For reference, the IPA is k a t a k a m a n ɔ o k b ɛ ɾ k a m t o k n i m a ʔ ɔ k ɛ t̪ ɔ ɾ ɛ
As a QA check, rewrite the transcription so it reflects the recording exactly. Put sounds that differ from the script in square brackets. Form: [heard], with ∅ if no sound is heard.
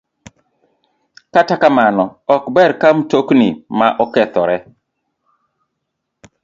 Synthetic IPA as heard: k a t a k a m a n ɔ [ɔ] k b ɛ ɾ k a m t o k n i m a ʔ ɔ k ɛ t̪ ɔ ɾ ɛ